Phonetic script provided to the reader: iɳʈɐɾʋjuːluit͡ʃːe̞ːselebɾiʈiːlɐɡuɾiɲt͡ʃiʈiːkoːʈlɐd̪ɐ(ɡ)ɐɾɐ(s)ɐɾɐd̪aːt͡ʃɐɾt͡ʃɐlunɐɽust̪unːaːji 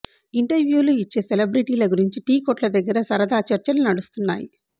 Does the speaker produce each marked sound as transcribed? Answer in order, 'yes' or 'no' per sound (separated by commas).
no, yes